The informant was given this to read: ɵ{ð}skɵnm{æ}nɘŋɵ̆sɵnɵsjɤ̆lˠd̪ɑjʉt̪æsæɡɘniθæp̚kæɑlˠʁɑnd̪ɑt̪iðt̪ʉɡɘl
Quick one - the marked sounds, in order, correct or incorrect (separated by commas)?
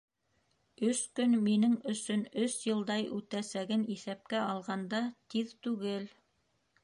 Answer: incorrect, incorrect